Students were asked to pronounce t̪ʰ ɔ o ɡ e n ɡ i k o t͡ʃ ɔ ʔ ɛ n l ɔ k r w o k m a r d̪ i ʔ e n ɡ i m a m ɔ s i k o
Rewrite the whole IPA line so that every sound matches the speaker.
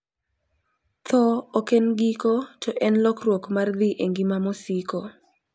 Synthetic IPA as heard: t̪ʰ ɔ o k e n ɡ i k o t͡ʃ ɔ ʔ ɛ n l ɔ k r w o k m a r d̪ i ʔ e ŋ ɡ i m a m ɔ s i k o